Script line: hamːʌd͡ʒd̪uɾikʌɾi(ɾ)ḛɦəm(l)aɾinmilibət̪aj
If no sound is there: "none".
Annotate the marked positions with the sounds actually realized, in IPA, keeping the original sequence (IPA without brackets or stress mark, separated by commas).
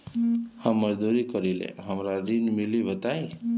l, ɾ